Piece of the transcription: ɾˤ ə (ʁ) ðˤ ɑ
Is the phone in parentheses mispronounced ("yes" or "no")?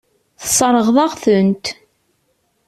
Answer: no